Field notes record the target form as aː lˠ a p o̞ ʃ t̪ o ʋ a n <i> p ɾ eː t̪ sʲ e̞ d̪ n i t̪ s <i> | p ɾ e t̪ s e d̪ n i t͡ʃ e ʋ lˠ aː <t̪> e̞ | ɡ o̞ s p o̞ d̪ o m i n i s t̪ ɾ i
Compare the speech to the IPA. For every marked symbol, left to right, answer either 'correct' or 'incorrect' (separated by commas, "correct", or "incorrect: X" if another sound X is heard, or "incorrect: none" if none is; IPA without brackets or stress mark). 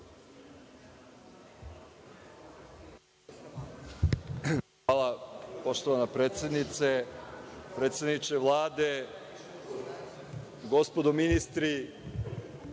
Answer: incorrect: a, incorrect: e, incorrect: d̪